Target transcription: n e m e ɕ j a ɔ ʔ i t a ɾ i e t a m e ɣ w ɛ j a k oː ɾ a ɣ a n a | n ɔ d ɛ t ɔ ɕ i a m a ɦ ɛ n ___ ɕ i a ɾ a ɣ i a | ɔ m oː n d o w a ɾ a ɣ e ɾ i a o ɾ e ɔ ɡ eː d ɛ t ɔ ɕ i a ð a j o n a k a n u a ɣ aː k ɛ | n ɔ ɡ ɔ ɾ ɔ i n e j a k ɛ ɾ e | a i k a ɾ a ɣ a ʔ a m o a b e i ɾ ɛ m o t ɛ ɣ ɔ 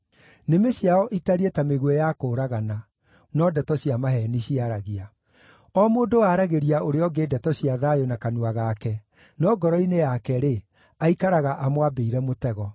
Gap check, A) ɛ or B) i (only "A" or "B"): B